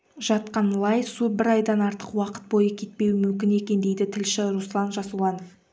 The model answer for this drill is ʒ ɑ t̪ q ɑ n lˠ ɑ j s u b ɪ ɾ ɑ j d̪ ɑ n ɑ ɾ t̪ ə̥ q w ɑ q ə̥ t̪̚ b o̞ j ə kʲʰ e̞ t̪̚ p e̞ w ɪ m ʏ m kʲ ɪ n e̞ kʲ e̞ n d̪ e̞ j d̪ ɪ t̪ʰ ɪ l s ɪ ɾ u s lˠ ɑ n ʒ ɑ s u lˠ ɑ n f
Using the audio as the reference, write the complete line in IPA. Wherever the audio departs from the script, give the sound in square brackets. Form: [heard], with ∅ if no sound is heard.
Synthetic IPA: ʒ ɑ t̪ q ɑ n lˠ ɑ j s u b ɪ ɾ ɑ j d̪ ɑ n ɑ ɾ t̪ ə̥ q w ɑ q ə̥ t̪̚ b o̞ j ə kʲʰ e̞ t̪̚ p e̞ w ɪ m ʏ m kʲ ɪ n e̞ kʲ e̞ n d̪ e̞ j d̪ ɪ t̪ʰ ɪ l [ʃ] ɪ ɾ u s lˠ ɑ n ʒ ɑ s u lˠ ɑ n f